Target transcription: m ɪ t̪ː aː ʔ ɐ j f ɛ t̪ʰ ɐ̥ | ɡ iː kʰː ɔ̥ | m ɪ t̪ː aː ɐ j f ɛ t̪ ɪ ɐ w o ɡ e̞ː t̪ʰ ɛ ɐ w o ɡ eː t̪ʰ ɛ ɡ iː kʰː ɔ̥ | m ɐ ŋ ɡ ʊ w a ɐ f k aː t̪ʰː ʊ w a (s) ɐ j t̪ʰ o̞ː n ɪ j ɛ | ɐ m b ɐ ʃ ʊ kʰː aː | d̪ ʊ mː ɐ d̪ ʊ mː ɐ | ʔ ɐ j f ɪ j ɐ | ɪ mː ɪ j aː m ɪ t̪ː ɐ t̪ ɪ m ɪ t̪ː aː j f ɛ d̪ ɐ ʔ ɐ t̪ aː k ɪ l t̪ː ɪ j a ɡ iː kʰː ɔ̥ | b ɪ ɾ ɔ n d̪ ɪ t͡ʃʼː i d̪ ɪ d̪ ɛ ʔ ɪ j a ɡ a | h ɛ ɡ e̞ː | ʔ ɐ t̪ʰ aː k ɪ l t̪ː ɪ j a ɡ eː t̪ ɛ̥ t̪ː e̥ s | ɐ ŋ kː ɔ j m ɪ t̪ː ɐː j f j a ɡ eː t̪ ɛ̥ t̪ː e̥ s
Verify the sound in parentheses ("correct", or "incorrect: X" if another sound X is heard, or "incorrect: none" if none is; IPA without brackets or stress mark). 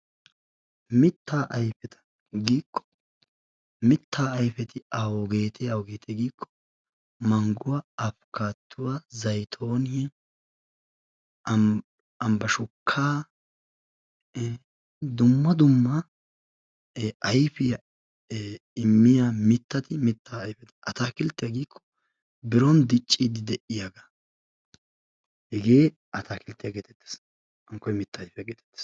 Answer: incorrect: z